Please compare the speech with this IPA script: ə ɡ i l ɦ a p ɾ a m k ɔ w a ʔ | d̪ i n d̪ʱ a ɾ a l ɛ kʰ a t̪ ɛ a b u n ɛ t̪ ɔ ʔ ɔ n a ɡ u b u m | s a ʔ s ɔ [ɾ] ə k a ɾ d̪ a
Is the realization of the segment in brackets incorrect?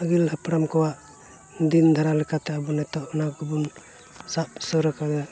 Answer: no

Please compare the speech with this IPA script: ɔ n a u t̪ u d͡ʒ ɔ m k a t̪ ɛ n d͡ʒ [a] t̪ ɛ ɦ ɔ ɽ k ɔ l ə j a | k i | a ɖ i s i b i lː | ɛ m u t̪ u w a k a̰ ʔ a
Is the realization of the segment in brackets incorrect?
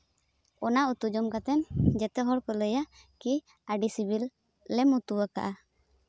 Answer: yes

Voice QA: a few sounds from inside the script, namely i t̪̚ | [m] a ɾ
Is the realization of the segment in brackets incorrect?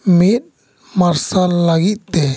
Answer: no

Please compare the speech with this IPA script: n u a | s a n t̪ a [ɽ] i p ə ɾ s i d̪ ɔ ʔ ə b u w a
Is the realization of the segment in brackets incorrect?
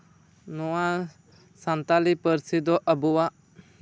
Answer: yes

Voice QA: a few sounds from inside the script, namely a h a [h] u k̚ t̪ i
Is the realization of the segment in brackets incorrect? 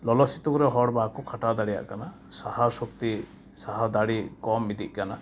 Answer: yes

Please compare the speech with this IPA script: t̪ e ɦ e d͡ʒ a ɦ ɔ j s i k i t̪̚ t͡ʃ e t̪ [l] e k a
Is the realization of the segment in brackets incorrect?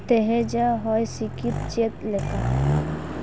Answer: no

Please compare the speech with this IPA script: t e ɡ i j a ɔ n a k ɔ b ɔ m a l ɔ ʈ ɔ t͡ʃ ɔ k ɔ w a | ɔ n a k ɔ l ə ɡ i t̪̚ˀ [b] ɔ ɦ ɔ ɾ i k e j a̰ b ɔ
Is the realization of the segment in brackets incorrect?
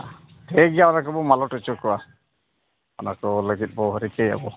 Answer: no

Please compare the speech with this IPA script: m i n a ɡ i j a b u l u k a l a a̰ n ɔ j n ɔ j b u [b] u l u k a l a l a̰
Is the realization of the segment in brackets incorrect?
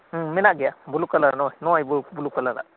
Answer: no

